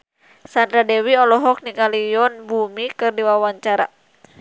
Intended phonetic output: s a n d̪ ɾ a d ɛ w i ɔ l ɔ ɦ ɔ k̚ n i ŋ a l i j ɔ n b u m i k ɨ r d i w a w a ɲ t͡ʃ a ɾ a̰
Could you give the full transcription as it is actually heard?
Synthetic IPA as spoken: s a n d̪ ɾ a d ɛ w i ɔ l ɔ ɦ ɔ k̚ n i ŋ a l i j ɔ n b u m i k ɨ r d i w a w a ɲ t͡ʃ a ɾ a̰